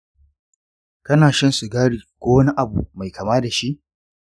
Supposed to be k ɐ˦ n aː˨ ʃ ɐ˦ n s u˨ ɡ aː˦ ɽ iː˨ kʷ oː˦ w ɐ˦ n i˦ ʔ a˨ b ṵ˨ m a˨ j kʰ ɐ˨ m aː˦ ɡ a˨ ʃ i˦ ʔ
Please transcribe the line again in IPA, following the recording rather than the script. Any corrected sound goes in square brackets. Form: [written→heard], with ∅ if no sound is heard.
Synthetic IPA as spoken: k ɐ˦ n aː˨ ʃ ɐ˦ n s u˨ ɡ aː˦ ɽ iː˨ kʷ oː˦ w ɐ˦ n i˦ ʔ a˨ b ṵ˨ m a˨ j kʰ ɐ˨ m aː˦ [ɡ→d] a˨ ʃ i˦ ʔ